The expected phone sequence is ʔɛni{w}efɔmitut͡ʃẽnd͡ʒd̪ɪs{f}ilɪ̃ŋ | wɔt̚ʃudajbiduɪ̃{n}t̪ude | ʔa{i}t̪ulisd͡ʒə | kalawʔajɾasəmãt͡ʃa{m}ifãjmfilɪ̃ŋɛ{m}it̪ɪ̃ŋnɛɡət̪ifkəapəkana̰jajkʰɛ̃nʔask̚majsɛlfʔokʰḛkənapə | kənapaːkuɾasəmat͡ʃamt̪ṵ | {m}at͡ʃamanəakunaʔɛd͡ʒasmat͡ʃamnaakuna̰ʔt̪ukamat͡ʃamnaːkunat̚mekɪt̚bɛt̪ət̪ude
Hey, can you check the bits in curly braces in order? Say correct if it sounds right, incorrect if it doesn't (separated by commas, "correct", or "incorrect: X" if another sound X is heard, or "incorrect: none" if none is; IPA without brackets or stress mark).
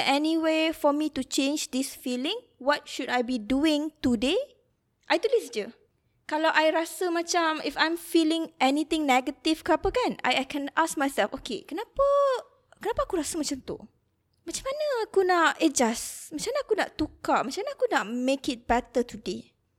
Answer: correct, correct, incorrect: ŋ, incorrect: j, correct, incorrect: n, correct